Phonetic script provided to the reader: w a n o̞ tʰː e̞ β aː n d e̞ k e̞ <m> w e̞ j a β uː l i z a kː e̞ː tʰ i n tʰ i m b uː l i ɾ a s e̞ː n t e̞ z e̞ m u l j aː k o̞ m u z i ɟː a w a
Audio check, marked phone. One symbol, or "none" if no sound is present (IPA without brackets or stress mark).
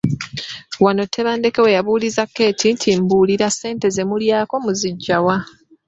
none